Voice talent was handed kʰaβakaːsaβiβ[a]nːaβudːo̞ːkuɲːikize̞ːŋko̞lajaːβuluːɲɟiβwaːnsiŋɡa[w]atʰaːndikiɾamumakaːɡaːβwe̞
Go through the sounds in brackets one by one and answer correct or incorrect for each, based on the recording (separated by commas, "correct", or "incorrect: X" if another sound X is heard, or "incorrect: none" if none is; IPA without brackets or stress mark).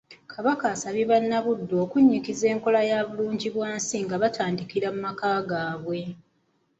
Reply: correct, incorrect: β